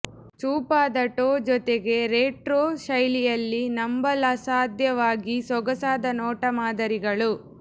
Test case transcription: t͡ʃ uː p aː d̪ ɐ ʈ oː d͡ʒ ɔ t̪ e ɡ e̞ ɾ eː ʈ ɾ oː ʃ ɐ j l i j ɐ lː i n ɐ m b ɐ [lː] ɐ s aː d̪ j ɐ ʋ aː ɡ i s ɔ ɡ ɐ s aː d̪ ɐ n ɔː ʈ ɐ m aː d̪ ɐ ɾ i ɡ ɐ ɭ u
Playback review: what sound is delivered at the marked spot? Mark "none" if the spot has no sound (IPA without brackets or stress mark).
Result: l